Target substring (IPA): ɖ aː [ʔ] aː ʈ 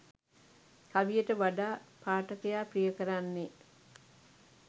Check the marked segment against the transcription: incorrect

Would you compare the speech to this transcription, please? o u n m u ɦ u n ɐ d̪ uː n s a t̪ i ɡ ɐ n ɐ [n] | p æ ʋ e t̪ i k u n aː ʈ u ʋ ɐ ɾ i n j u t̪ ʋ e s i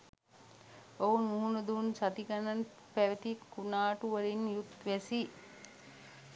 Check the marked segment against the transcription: correct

